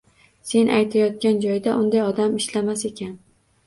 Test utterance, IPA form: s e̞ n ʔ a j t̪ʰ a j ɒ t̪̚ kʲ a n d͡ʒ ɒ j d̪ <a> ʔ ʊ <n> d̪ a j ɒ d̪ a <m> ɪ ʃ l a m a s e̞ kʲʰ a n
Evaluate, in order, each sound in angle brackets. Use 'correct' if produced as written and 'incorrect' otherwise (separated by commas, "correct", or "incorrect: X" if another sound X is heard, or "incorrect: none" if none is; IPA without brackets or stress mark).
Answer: correct, correct, correct